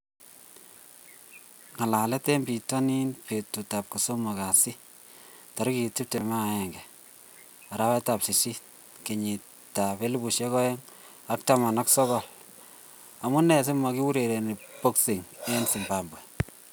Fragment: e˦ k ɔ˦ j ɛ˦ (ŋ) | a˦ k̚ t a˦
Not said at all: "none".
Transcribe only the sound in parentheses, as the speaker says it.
ŋ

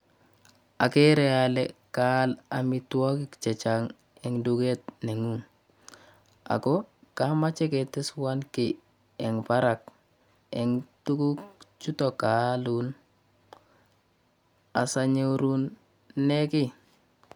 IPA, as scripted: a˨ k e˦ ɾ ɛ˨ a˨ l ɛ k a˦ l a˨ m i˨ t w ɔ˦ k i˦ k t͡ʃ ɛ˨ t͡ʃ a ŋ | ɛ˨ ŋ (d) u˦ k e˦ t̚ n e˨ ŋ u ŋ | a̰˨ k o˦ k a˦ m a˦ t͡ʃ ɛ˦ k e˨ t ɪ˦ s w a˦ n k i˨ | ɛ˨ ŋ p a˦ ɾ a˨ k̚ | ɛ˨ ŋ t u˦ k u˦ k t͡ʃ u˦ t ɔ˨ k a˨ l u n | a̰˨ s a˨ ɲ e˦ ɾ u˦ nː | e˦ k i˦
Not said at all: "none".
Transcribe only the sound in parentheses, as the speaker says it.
d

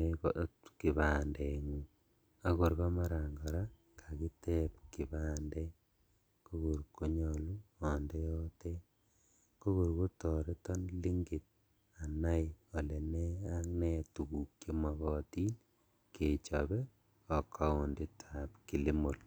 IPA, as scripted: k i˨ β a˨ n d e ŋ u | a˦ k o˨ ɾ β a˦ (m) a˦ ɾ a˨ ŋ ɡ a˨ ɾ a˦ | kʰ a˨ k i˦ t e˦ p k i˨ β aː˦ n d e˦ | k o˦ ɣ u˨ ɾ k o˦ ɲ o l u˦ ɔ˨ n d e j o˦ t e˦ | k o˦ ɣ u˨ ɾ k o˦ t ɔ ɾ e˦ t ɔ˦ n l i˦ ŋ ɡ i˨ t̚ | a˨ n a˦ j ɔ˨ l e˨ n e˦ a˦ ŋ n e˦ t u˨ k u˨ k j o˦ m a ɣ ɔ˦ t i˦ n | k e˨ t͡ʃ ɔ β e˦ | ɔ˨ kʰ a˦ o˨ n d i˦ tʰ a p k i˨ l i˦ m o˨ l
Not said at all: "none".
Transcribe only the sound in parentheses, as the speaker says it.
m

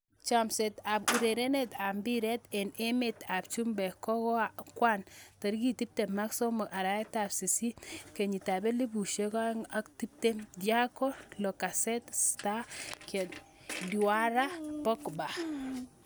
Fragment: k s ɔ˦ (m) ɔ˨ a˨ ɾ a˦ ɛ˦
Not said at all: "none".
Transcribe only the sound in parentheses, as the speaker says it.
m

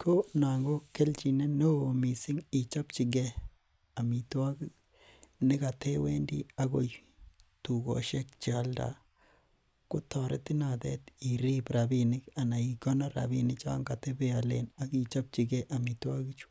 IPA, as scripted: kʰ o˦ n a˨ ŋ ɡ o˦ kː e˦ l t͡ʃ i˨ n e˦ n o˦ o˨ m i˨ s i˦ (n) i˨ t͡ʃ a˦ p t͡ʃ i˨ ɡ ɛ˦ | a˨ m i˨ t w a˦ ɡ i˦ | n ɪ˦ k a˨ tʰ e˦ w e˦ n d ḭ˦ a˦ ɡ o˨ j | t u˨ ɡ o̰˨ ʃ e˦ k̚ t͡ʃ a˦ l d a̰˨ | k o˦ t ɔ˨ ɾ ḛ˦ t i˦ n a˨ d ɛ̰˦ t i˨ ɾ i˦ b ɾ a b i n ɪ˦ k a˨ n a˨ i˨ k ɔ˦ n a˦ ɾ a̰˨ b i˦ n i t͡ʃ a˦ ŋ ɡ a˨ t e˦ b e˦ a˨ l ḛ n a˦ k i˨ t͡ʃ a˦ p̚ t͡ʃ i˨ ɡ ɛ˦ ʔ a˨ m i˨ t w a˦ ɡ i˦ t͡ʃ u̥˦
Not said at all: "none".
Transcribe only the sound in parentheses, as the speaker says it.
ŋ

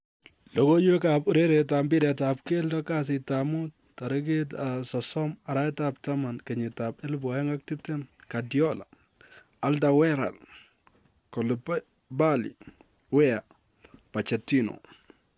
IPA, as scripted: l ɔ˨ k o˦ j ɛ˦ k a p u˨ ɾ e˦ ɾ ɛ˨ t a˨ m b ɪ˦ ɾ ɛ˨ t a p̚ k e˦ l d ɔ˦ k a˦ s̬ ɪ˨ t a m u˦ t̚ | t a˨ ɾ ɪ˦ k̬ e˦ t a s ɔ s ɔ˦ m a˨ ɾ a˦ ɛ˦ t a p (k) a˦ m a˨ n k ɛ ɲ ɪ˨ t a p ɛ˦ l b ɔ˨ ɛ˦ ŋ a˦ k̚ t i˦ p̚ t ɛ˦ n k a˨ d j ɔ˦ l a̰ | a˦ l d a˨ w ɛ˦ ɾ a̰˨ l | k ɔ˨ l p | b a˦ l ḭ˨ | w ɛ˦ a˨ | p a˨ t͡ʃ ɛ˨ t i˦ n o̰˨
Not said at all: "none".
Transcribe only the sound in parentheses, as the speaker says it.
t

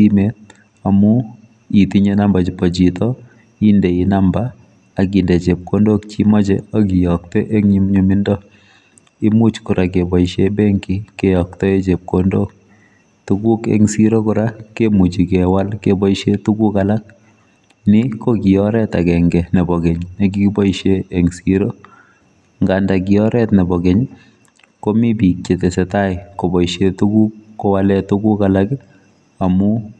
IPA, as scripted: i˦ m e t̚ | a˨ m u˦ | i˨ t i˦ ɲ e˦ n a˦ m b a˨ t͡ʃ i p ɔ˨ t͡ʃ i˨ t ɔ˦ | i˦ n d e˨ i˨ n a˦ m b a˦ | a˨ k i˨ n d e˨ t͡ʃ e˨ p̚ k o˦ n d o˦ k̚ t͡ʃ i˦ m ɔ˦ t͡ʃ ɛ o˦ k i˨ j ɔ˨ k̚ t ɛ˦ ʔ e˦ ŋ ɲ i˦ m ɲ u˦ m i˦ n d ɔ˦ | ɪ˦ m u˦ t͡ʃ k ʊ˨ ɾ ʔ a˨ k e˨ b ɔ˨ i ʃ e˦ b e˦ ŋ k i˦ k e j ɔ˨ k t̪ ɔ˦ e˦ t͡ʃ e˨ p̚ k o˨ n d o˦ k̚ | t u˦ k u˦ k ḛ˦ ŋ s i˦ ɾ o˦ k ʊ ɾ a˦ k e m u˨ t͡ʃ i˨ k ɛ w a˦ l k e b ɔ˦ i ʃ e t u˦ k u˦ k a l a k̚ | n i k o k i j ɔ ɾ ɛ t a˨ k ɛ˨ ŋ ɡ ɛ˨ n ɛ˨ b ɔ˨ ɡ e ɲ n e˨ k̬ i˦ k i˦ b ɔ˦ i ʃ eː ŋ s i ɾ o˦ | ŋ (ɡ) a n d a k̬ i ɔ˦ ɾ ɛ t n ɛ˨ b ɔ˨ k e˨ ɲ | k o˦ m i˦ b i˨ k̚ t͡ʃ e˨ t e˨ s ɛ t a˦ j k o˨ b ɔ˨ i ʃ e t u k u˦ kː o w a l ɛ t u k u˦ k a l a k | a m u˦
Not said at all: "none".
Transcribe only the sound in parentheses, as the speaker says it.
ɡ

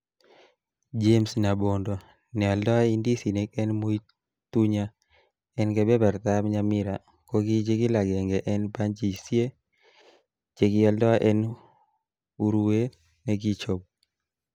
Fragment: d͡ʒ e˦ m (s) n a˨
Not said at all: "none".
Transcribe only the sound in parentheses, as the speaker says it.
s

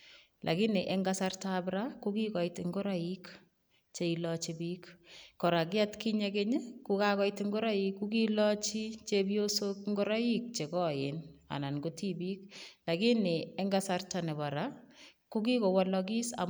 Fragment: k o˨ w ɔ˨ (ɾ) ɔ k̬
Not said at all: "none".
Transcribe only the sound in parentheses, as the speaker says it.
l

